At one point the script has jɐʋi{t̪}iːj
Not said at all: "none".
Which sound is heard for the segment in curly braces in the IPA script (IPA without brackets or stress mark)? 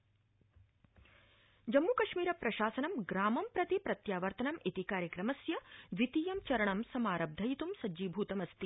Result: t̪